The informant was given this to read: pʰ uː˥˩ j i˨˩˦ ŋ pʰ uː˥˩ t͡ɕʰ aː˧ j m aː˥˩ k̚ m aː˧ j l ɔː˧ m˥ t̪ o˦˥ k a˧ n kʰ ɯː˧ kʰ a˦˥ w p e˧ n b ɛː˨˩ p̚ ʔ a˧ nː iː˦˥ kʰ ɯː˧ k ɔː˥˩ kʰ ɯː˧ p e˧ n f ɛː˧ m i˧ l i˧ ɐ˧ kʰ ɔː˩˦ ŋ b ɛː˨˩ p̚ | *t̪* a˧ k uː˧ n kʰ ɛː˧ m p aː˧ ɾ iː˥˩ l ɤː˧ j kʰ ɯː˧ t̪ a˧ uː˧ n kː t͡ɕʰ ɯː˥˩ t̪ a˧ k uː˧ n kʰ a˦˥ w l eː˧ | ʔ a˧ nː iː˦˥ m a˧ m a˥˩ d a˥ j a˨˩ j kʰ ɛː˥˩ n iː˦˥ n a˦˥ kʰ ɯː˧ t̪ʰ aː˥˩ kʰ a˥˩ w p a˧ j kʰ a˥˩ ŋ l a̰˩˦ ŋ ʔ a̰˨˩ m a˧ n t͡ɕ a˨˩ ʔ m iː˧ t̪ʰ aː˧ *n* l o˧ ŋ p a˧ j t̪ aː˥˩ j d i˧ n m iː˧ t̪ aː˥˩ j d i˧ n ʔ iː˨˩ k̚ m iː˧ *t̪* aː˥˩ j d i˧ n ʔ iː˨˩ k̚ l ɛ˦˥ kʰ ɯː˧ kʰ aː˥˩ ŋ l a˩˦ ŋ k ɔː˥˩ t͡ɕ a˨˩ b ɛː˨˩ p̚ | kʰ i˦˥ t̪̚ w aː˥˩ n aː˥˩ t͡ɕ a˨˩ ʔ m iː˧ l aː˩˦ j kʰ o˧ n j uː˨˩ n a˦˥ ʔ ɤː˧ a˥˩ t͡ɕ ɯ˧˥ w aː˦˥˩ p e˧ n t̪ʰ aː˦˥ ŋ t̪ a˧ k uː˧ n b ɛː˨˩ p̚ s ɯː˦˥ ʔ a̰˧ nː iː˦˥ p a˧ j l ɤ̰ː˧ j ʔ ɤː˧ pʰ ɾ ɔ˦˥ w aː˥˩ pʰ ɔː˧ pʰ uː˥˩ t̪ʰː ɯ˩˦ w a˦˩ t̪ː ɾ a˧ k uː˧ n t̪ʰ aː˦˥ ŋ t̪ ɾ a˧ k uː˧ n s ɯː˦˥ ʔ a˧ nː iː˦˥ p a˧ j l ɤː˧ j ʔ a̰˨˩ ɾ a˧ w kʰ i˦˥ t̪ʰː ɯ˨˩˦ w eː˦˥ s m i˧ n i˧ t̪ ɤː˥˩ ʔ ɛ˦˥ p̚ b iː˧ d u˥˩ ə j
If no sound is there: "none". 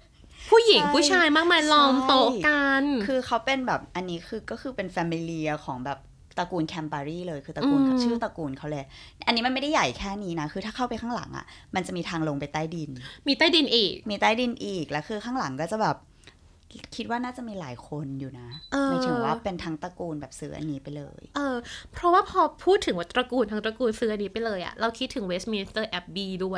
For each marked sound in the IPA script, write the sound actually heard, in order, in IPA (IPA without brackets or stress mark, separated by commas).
t̪, ŋ, t̪